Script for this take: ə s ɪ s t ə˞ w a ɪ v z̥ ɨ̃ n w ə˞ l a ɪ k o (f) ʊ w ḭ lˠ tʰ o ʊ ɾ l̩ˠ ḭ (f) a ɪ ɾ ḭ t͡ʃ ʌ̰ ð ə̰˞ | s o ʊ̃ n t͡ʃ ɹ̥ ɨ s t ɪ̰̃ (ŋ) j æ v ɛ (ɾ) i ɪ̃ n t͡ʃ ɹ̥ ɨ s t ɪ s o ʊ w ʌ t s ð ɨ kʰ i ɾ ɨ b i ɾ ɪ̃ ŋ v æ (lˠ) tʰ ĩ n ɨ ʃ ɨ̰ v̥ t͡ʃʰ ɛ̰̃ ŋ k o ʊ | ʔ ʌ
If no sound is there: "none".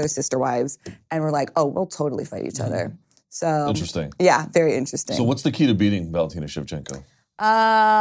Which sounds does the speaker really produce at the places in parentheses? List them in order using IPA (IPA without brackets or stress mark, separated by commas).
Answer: none, f, ŋ, ɹ, lˠ